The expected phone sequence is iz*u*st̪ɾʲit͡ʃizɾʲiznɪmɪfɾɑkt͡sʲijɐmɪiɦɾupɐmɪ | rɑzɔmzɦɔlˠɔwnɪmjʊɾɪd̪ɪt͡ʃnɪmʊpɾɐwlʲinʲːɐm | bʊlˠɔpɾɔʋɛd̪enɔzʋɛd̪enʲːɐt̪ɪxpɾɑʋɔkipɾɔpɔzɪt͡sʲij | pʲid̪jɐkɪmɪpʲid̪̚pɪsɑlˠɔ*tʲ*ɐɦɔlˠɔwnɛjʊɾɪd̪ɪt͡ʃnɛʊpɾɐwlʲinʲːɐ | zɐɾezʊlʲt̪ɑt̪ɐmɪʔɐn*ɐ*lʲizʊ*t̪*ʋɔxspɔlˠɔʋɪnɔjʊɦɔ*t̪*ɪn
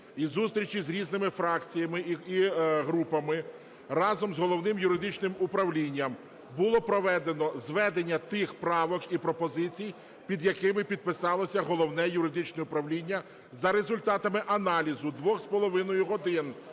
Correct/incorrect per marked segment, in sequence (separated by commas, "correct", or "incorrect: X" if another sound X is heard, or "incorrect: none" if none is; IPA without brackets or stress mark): correct, incorrect: sʲ, incorrect: ɑ, incorrect: d̪, incorrect: d̪